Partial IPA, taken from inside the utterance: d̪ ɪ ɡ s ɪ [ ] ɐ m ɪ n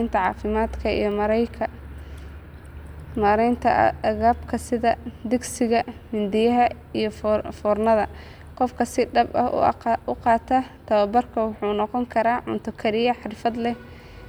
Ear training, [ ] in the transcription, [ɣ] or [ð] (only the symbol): ɣ